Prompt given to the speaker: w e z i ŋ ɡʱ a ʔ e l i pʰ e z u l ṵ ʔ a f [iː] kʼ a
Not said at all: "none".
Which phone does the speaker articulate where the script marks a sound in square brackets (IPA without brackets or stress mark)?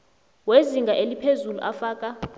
aː